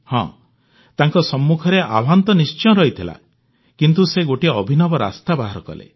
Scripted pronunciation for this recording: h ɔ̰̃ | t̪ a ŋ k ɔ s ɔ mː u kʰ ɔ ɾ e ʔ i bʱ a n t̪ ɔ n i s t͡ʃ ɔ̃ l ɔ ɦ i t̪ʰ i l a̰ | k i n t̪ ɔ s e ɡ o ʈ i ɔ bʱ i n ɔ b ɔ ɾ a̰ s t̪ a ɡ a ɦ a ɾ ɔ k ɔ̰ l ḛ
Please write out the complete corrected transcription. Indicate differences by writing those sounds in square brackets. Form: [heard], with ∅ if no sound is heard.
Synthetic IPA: h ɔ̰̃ | t̪ a ŋ k ɔ s ɔ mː u kʰ ɔ ɾ e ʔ [a] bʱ a n t̪ ɔ n i s t͡ʃ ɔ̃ [ɾ] ɔ ɦ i t̪ʰ i l a̰ | k i n t̪ [u] s e ɡ o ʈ i ɔ bʱ i n ɔ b ɔ ɾ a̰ s t̪ a [b] a ɦ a ɾ ɔ k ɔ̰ l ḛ